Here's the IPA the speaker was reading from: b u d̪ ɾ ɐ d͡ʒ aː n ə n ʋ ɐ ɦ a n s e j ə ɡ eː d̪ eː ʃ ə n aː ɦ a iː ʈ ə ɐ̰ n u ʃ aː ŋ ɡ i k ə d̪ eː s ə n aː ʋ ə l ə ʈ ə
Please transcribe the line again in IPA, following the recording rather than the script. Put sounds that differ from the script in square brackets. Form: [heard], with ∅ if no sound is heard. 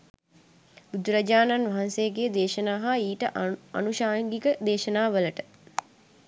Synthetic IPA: b u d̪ ɾ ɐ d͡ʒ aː n [a] n ʋ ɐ ɦ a n s e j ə ɡ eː d̪ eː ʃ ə n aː ɦ a iː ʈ ə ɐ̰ n u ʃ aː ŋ ɡ i k ə d̪ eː [ʃ] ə n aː ʋ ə l ə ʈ ə